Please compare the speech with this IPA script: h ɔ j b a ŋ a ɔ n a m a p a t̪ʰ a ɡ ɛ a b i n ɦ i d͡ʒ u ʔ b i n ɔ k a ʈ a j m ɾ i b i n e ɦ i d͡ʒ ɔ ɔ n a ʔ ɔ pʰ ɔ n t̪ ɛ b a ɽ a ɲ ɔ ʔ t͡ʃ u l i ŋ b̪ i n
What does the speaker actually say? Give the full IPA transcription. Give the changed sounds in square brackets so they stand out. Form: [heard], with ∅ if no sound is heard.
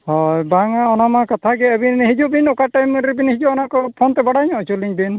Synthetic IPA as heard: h ɔ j b a ŋ a ɔ n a m a [k] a t̪ʰ a ɡ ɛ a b i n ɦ i d͡ʒ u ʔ b i n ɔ k a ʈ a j m ɾ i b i n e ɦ i d͡ʒ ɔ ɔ n a [k] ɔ pʰ ɔ n t̪ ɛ b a ɽ a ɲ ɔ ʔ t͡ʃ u l i ŋ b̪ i n

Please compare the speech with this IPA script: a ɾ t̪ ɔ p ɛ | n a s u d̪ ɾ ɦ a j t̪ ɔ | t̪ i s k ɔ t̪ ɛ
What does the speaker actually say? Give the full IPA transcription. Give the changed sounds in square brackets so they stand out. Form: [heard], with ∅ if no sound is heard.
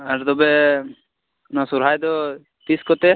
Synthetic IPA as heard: a ɾ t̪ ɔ [b] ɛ | n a s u [∅] ɾ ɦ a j [d̪] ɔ | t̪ i s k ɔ t̪ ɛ

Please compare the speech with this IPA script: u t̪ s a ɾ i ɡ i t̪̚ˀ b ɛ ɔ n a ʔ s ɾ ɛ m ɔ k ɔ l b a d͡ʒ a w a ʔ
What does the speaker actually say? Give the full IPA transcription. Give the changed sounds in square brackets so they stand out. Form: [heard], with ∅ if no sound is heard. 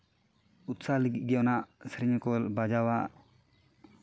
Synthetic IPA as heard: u t̪ s a [l] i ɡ i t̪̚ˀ [ɡ] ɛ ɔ n a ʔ s ɾ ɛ [ɲ] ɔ k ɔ l b a d͡ʒ a w a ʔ

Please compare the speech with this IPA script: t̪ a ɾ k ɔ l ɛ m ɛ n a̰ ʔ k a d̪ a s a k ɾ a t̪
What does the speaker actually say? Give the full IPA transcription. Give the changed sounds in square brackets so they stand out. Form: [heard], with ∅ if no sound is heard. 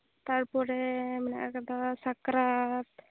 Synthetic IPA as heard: t̪ a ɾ [p] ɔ [ɾ] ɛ m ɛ n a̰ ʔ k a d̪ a s a k ɾ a t̪

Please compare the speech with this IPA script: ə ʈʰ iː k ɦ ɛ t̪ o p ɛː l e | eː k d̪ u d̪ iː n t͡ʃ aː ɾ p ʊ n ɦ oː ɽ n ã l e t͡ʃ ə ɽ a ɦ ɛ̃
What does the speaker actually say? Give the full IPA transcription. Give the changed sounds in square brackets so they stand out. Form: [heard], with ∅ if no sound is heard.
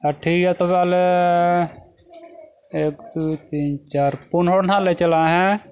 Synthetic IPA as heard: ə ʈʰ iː k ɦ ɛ t̪ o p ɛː l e | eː k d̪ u [t̪] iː n t͡ʃ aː ɾ p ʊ n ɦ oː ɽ n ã l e t͡ʃ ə [l] a ɦ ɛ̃

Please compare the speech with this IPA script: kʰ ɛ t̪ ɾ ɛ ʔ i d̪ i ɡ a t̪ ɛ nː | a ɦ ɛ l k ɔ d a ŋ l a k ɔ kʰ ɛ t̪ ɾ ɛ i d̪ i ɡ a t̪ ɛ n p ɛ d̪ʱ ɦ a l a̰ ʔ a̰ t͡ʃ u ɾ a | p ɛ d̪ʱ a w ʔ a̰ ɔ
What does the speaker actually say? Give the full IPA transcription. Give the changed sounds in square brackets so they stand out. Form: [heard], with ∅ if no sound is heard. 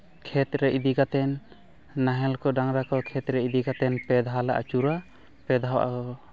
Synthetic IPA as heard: kʰ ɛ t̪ ɾ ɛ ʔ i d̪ i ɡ a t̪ ɛ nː | a ɦ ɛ l k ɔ d a ŋ [ɾ] a k ɔ kʰ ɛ t̪ ɾ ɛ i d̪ i ɡ a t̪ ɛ n p ɛ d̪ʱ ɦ a l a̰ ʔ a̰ t͡ʃ u ɾ a | p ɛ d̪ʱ a w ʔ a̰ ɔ

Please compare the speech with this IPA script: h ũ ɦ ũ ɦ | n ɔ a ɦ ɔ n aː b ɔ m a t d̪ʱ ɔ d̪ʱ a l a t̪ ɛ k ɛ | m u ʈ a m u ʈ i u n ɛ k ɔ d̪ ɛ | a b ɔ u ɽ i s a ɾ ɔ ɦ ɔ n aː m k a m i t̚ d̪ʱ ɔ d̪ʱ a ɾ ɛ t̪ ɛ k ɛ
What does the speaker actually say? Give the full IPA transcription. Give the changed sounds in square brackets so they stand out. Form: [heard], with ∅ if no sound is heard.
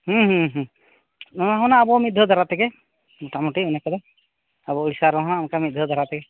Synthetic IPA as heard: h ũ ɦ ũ ɦ | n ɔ a ɦ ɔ n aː b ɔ m [i] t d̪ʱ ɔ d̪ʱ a [ɾ] a t̪ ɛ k ɛ | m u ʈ a m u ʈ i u n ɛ k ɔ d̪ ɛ | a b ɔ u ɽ i s a ɾ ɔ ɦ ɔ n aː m k a m i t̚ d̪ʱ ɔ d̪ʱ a ɾ [a] t̪ ɛ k ɛ

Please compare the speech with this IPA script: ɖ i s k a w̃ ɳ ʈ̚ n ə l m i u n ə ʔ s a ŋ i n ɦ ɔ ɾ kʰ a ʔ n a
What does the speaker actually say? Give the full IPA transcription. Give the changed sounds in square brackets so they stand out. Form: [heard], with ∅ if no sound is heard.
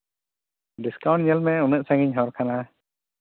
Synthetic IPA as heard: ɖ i s k a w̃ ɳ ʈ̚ [ɲ] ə l m [ɛ] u n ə ʔ s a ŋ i [ɲ] ɦ ɔ ɾ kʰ a [∅] n a

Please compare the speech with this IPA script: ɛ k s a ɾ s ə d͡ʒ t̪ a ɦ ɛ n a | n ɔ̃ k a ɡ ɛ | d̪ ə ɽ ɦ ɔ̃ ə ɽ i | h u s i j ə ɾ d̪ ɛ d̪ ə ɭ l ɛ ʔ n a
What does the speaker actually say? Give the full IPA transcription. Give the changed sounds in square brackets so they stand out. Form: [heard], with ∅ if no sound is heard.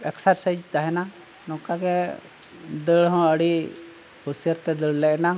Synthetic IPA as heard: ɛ k s a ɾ s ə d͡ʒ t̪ a ɦ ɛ n a | n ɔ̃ k a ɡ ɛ | d̪ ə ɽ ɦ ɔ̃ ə ɽ i | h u s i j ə ɾ [t̪] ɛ d̪ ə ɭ l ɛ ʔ n a

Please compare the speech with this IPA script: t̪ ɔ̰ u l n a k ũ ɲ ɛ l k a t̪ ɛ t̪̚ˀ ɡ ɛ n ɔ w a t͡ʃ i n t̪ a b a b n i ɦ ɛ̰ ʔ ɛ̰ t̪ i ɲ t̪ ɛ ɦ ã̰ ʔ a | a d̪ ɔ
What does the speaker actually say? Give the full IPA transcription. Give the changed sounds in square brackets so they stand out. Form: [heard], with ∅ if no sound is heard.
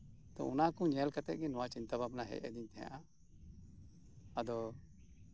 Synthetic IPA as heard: t̪ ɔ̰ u [∅] n a k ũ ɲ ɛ l k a t̪ ɛ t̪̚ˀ ɡ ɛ n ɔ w a t͡ʃ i n t̪ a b a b n [a] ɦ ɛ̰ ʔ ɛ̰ [d̪] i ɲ t̪ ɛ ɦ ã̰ ʔ a | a d̪ ɔ

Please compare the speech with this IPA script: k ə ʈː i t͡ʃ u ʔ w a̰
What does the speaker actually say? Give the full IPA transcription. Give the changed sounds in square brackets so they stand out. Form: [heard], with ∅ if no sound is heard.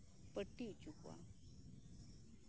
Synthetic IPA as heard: [p] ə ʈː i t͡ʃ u [k] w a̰

